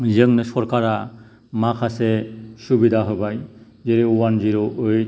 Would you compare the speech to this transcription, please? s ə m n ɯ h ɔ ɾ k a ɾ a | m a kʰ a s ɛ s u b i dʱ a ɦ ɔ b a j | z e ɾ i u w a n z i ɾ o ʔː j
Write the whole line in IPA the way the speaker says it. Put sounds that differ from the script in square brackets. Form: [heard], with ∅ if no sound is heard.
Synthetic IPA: [z] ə [ŋ] n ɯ [s] ɔ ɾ k a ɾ a | m a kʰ a s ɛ s u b i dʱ a ɦ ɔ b a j | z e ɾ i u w a n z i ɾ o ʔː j